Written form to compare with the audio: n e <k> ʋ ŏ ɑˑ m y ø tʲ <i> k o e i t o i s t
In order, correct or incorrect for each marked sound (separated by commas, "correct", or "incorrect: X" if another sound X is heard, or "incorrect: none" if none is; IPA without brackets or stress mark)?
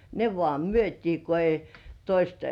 incorrect: none, incorrect: iː